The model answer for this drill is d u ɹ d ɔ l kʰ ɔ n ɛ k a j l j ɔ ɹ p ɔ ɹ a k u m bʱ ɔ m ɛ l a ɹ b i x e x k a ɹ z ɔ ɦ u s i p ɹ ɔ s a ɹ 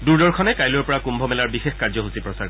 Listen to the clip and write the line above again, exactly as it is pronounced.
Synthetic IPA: d u ɹ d ɔ ɹ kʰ ɔ n ɛ k a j l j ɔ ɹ p ɔ ɹ a k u m bʱ ɔ m ɛ l a ɹ b i x e x k a ɹ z ɔ ɦ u s i p ɹ ɔ s a ɹ